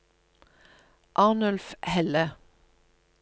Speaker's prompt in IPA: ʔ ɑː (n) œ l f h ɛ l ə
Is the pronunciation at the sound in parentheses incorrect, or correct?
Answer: correct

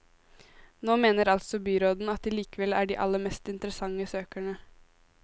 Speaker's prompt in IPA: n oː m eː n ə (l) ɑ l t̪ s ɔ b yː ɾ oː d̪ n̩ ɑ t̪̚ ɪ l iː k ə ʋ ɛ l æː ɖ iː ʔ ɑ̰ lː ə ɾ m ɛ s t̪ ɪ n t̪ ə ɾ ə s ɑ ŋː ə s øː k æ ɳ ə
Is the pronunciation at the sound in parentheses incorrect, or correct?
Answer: incorrect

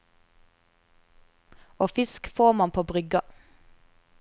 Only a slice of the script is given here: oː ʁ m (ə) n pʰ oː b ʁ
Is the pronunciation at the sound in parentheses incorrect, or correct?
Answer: incorrect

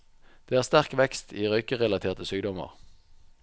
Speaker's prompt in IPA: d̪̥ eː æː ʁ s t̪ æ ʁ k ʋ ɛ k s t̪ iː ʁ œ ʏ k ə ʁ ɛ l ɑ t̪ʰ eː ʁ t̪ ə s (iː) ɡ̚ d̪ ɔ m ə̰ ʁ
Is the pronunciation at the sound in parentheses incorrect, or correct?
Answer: incorrect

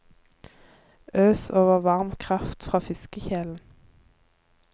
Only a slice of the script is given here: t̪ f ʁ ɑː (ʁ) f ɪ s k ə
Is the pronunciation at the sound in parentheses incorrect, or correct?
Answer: incorrect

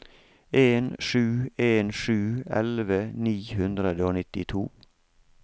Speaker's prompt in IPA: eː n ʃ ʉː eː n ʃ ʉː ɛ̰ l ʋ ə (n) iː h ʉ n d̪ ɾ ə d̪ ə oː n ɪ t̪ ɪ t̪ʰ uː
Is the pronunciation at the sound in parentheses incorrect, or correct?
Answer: correct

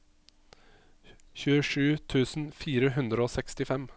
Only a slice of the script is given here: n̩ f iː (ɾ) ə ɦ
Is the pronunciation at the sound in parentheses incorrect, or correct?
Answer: correct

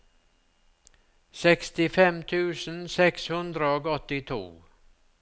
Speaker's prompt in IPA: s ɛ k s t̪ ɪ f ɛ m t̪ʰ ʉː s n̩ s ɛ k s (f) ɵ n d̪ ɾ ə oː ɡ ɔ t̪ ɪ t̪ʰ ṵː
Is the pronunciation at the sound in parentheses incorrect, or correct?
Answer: incorrect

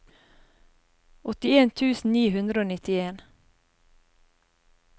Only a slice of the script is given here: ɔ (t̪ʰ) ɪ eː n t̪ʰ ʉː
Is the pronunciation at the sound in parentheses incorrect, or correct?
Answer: incorrect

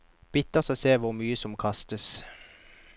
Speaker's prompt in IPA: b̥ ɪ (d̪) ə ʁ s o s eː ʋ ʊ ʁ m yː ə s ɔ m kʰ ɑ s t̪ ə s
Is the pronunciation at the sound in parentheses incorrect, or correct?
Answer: incorrect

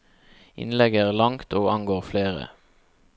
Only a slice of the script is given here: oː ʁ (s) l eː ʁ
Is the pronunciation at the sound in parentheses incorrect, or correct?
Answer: incorrect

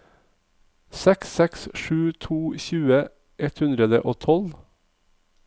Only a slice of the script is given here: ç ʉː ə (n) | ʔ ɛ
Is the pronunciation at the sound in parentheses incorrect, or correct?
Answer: incorrect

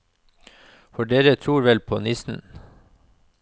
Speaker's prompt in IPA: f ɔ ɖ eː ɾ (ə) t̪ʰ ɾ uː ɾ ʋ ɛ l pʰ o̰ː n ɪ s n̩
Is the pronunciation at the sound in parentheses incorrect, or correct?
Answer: correct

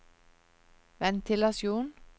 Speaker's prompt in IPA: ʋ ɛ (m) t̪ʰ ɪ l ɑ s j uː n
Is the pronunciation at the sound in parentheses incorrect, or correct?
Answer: incorrect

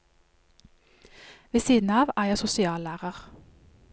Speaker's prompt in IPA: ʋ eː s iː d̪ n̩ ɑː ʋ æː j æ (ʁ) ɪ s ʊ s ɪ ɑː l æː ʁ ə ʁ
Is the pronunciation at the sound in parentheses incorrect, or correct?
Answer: incorrect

